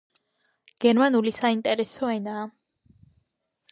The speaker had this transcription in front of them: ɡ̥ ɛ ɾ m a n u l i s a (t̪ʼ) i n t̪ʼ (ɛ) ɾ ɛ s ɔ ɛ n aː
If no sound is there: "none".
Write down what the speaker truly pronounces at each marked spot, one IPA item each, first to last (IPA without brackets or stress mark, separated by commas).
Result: none, ɛ